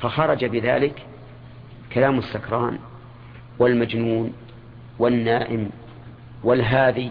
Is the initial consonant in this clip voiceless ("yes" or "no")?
yes